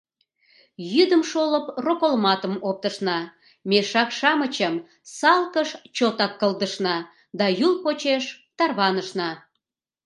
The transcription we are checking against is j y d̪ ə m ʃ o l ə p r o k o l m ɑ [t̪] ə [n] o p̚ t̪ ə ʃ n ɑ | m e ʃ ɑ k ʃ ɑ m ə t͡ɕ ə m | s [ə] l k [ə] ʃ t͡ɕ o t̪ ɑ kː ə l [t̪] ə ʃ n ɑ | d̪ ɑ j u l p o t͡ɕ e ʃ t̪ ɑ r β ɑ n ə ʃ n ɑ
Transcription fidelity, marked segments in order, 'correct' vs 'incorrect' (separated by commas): correct, incorrect, incorrect, correct, incorrect